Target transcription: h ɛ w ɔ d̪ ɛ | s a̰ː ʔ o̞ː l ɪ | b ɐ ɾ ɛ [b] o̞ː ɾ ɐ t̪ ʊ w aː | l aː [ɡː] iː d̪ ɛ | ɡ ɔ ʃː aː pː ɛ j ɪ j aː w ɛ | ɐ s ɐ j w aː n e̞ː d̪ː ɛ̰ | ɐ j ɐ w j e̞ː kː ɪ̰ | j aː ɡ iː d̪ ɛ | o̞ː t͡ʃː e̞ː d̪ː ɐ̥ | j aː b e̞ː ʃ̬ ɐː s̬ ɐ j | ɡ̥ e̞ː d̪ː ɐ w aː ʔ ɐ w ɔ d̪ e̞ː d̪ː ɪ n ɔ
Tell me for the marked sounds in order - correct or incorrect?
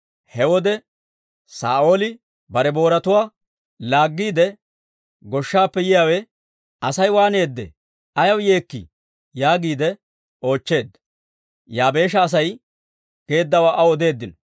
correct, correct

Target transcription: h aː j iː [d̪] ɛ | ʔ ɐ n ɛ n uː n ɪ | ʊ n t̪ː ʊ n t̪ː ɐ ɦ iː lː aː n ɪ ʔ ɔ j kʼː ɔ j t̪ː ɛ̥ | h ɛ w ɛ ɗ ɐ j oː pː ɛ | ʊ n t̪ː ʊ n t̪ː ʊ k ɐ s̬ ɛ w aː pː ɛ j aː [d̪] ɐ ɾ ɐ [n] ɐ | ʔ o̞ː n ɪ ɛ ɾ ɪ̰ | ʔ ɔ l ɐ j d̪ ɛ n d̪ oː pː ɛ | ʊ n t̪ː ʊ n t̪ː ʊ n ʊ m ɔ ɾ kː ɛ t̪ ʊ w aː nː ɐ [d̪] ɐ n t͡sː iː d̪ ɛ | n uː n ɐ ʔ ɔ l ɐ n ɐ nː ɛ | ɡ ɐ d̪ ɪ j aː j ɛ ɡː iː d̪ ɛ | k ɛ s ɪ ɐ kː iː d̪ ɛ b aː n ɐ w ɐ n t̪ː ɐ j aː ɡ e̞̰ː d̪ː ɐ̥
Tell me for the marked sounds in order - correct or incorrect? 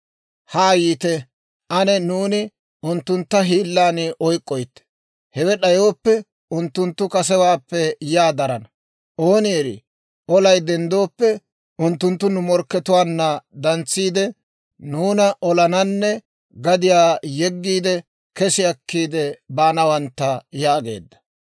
incorrect, correct, correct, correct

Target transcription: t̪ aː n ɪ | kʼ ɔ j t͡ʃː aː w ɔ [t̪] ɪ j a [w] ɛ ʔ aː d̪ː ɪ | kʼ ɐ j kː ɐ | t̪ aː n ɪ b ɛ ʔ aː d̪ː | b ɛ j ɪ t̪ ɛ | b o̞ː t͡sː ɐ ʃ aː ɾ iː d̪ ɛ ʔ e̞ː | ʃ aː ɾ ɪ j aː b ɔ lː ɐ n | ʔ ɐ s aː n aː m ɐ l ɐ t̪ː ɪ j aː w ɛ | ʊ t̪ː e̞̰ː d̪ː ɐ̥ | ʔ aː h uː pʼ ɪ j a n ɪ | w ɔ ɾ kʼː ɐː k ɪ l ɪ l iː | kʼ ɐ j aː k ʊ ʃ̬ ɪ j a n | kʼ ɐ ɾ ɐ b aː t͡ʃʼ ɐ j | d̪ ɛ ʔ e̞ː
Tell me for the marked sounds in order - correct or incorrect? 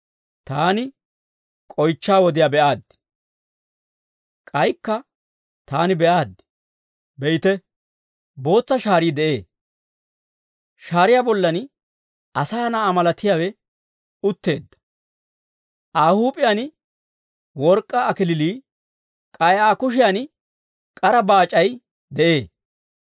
incorrect, incorrect

